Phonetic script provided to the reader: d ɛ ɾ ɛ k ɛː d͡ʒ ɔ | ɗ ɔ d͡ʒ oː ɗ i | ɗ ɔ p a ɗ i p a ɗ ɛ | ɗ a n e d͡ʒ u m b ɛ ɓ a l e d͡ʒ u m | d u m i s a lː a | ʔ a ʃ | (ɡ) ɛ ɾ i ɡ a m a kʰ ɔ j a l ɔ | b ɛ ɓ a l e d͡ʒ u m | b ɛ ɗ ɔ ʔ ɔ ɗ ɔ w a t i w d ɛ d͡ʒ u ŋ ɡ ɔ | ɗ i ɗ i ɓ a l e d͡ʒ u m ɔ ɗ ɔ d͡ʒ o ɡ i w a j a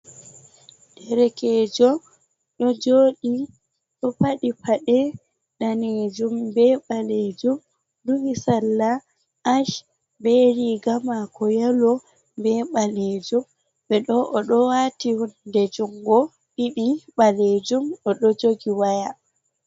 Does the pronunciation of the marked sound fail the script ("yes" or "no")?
yes